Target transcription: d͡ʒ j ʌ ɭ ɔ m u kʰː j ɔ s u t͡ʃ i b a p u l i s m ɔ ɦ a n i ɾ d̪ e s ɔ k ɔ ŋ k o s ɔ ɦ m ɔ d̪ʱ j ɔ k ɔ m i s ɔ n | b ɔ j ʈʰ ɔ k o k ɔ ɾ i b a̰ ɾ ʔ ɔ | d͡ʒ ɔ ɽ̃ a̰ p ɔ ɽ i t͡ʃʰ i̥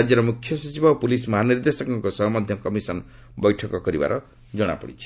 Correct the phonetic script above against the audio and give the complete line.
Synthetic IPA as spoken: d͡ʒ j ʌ ɾ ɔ m u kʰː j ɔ s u t͡ʃ i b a p u l i s m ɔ ɦ a n i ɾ d̪ e s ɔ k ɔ ŋ k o s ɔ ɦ m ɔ d̪ʱ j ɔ k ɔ m i s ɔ n | b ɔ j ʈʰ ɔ k ɔ k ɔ ɾ i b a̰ ɾ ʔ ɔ | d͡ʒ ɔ ɽ̃ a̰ p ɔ ɽ i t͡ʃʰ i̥